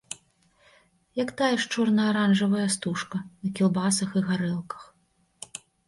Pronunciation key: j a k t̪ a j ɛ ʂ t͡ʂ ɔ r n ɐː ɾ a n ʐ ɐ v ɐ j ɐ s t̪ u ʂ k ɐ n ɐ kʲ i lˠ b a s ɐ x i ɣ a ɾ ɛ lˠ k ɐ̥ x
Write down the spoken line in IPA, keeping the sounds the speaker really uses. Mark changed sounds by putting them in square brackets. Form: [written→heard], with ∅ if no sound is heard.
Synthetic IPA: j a k t̪ a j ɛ ʂ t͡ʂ ɔ r n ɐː ɾ a n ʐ ɐ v ɐ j ɐ s t̪ u ʂ k ɐ n ɐ kʲ i lˠ b a s ɐ x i ɣ a ɾ ɛ lˠ k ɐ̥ x